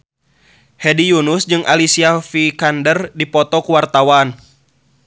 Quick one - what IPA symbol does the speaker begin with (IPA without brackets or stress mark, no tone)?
h